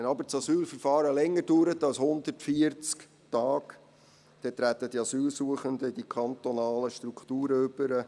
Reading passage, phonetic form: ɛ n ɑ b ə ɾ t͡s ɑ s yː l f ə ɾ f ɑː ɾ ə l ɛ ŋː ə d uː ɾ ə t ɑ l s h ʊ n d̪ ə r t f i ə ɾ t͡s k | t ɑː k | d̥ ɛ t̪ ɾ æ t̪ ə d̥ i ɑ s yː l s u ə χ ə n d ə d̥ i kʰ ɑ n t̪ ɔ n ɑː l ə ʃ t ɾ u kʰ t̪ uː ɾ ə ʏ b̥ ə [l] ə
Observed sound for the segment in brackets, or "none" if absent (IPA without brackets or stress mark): ɾ